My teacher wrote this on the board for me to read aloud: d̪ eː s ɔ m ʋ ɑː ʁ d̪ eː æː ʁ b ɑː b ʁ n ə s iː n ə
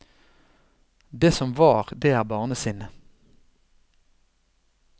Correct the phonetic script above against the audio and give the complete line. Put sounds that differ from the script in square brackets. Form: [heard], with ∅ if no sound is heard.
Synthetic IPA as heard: d̪ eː s ɔ m ʋ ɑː ʁ d̪ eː æː ʁ b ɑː [∅] ʁ n ə s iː n ə